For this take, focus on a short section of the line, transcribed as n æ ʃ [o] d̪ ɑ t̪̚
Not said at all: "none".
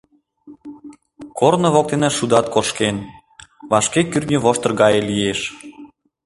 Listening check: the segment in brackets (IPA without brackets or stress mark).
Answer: u